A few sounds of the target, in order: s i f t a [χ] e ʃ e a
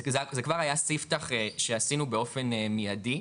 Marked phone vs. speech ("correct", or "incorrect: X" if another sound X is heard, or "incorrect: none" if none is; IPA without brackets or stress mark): correct